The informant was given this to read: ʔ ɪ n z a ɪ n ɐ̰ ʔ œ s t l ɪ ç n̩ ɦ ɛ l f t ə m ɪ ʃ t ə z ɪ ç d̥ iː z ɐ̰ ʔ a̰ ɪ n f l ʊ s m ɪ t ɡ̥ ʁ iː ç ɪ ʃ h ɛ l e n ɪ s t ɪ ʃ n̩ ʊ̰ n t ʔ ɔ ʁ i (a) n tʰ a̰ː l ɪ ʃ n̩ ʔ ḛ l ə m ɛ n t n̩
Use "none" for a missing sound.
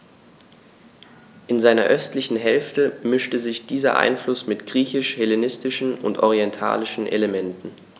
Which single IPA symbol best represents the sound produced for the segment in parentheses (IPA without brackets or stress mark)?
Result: ɛ